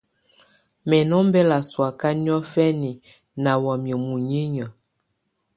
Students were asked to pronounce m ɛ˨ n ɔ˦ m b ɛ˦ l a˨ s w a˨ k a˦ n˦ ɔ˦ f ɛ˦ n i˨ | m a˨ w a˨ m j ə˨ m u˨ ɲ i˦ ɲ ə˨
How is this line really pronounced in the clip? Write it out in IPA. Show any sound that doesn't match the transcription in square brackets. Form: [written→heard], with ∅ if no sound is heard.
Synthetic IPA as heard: m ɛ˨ n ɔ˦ m b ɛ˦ l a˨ s w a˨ k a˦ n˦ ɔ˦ f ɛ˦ n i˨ | [m→n] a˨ w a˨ m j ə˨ m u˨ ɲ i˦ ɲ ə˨

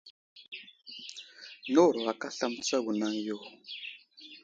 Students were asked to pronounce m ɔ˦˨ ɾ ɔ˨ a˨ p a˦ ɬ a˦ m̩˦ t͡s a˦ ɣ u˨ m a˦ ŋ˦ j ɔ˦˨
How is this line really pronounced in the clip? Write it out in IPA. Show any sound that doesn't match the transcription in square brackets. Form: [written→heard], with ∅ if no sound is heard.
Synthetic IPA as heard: [m→n] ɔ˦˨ ɾ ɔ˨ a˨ [p→k] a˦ ɬ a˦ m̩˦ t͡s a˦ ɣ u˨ [m→n] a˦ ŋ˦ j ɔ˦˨

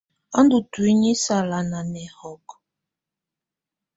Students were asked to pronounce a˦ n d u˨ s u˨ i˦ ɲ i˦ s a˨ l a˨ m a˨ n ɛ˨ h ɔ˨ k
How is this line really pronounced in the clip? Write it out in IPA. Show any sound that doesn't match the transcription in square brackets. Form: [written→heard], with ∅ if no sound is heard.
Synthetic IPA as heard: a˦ n d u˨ [s→t] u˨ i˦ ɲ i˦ s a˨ l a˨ [m→n] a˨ n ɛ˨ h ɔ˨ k

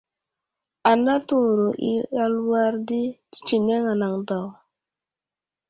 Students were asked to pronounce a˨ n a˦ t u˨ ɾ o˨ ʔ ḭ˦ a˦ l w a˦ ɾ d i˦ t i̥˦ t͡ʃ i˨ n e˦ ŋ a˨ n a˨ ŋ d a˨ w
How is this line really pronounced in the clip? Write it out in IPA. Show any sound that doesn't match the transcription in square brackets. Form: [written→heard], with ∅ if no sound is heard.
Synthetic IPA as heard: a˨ n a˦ t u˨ ɾ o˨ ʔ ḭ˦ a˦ l w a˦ ɾ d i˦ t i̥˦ t͡ʃ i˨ n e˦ ŋ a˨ n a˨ ŋ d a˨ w

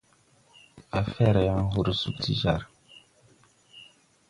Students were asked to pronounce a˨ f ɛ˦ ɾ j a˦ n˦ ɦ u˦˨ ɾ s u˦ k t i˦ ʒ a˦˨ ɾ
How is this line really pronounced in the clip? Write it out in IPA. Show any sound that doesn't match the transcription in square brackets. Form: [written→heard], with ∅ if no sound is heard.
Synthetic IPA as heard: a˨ f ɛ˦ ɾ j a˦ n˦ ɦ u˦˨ ɾ s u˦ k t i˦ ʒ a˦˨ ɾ

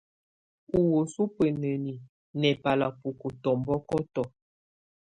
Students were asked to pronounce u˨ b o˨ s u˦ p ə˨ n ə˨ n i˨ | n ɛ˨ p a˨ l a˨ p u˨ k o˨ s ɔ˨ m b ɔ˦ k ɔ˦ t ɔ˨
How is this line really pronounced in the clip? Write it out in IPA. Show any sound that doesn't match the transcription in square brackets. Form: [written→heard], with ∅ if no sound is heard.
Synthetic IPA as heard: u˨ [b→w] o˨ s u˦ p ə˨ n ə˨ n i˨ | n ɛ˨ p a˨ l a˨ p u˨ k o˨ [s→t] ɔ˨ m b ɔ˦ k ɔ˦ t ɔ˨

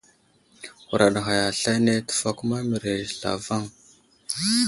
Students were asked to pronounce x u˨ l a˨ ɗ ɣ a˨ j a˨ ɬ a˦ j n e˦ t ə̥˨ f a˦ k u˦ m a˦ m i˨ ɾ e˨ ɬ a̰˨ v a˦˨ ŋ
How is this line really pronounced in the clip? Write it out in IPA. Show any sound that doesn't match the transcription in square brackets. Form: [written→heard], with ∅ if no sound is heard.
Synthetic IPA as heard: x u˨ [l→ɾ] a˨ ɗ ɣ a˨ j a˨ ɬ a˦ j n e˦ t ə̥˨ f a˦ k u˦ m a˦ m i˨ ɾ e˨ ɬ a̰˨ v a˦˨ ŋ

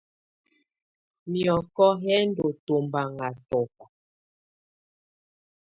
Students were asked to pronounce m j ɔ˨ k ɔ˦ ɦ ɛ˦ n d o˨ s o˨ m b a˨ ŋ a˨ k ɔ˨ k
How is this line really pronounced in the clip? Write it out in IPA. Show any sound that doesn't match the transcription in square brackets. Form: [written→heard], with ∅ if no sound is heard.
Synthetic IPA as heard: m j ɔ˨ k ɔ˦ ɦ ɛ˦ n d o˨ [s→t] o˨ m b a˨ ŋ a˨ [k→t] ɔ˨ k

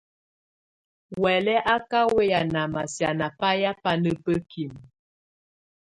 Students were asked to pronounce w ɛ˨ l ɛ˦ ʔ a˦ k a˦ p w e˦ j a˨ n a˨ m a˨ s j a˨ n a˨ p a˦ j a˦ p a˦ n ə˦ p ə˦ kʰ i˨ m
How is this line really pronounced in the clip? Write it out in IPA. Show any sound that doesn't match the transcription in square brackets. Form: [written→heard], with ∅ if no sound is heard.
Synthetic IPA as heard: w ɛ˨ l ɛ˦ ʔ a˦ k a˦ [p→∅] w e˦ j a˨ n a˨ m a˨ s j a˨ n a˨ p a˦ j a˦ p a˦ n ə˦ p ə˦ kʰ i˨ m

